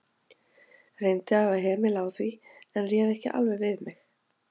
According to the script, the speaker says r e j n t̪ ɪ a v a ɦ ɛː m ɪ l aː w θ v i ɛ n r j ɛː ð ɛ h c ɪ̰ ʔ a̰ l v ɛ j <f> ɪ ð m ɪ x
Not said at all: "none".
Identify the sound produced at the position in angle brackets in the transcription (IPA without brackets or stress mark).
v